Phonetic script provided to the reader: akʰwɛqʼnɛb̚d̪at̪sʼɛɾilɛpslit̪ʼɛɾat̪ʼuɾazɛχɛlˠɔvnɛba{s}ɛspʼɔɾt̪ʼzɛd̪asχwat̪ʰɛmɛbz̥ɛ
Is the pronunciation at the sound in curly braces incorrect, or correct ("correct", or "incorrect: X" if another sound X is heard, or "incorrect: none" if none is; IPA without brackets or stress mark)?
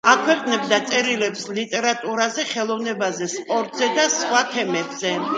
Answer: incorrect: z